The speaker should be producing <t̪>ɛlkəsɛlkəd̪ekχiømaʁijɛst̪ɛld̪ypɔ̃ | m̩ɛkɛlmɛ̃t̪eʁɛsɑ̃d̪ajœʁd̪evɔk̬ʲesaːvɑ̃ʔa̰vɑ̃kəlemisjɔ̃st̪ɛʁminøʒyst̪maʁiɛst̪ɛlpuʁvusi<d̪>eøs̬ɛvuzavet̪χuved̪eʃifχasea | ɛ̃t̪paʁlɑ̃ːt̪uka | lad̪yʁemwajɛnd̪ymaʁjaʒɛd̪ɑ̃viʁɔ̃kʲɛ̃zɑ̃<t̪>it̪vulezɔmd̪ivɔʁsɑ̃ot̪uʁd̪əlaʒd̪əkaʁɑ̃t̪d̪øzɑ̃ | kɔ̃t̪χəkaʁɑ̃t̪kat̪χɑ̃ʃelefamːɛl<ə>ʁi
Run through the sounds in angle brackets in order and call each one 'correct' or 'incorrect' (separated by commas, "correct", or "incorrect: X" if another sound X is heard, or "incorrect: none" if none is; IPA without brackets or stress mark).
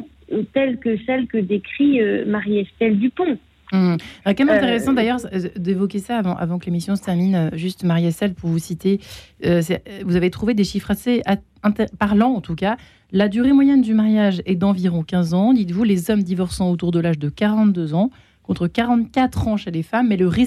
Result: correct, incorrect: t̪, incorrect: d̪, correct